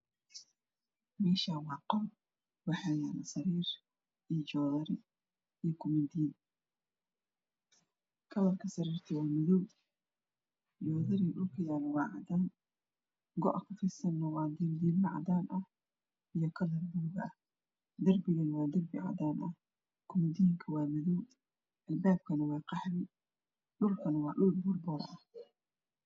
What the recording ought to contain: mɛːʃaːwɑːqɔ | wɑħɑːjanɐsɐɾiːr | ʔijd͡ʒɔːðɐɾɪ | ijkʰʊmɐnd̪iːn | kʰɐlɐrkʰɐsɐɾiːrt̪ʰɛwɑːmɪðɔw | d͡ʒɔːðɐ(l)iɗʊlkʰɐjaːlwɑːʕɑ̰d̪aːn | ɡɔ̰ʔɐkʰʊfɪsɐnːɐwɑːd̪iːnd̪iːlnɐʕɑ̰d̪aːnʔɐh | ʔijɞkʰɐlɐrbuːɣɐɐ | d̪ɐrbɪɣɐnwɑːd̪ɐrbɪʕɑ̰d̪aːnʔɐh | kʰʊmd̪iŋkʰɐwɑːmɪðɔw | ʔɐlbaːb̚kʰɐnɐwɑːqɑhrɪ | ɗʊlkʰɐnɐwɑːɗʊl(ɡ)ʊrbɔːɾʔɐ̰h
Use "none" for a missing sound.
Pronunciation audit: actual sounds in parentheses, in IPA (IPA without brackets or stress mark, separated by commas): ɾ, b